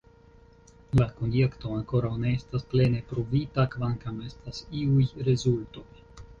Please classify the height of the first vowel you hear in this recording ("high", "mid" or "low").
low